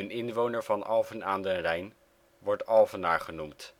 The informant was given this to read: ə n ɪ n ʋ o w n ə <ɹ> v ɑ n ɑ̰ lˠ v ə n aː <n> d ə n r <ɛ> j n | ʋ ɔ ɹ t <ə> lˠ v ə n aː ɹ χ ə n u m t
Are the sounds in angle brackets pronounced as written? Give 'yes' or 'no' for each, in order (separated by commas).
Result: yes, yes, yes, no